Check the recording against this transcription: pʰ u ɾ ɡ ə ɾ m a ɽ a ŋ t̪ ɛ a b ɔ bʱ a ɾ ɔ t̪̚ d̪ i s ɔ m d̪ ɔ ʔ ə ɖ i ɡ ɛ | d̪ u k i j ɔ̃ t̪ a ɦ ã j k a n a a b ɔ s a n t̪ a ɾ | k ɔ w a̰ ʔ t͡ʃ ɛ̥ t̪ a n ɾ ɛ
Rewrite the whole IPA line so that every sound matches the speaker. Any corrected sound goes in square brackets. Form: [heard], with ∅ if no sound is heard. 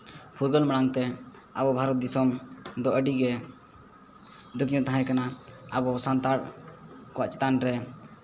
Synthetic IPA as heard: pʰ u ɾ ɡ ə [l] m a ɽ a ŋ t̪ ɛ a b ɔ bʱ a ɾ ɔ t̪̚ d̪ i s ɔ m d̪ ɔ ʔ ə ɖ i ɡ ɛ | d̪ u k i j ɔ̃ t̪ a ɦ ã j k a n a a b ɔ s a n t̪ a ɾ | k ɔ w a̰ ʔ t͡ʃ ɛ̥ t̪ a n ɾ ɛ